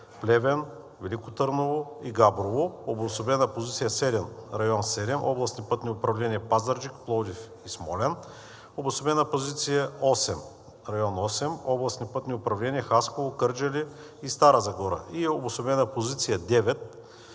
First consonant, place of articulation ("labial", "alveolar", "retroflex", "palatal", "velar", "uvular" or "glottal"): labial